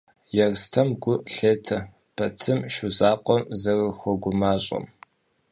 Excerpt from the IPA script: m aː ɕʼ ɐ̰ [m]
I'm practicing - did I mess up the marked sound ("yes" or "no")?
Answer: no